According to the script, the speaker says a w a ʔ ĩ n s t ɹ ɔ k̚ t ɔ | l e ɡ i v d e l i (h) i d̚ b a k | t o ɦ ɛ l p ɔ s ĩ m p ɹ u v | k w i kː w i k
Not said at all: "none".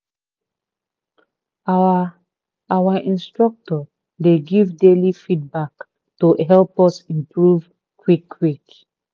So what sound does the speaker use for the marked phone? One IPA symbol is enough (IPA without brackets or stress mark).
f